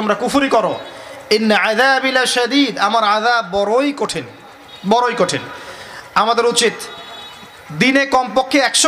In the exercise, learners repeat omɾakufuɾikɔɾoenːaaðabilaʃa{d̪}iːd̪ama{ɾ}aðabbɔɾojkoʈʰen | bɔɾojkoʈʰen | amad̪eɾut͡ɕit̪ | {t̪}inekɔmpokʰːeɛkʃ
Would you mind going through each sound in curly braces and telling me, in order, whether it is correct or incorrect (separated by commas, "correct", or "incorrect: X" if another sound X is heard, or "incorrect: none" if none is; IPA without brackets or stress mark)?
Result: correct, correct, incorrect: d̪